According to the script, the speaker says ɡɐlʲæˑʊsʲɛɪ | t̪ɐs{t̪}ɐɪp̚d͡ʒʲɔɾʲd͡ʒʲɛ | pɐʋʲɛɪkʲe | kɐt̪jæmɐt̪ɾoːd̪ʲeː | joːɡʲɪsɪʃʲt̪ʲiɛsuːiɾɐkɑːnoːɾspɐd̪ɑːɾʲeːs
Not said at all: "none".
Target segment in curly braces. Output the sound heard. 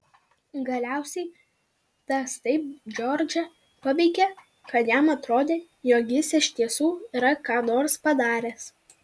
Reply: t̪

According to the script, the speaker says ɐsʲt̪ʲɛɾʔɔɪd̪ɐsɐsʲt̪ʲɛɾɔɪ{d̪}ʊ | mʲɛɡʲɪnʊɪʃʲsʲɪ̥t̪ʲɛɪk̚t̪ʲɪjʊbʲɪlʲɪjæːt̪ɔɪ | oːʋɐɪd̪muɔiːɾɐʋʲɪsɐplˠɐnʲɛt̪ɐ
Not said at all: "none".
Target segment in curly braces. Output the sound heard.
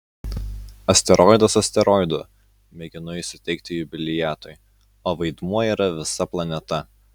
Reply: d̪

